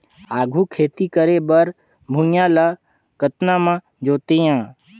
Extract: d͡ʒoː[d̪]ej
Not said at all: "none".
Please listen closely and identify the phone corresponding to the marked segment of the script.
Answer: t̪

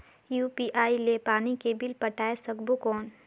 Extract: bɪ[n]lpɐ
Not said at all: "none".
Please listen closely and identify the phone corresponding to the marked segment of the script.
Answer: none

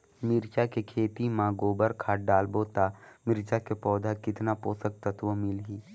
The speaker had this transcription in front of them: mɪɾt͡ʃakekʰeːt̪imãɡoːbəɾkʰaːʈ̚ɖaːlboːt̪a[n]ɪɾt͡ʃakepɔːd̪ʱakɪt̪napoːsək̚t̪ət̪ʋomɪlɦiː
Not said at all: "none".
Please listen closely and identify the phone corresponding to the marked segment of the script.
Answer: m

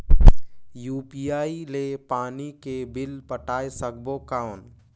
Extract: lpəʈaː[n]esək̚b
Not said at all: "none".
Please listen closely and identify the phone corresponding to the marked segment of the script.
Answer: none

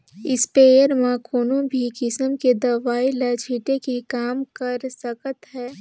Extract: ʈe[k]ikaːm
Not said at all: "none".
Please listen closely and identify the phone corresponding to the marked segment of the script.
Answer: k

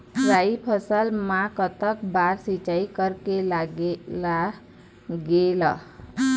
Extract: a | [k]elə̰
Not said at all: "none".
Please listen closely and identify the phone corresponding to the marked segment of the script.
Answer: ɡ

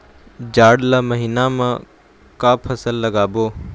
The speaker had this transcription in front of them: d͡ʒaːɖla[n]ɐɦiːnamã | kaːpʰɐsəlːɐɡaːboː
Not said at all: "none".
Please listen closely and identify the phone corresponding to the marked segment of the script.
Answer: m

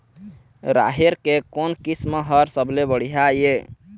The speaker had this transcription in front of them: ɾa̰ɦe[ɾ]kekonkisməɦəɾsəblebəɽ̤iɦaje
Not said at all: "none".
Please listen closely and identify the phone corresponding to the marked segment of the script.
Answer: ɾ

